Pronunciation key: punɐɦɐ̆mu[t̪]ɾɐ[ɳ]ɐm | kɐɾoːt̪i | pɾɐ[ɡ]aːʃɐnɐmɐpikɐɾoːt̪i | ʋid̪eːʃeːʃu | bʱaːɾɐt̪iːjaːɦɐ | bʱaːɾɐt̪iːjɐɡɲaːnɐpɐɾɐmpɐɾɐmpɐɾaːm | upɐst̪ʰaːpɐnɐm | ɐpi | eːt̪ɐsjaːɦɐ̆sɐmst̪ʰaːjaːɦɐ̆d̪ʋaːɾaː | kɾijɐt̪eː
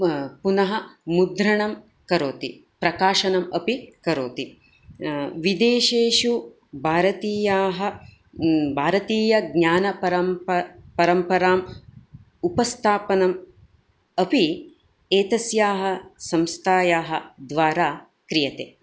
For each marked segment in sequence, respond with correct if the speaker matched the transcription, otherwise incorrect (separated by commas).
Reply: incorrect, correct, incorrect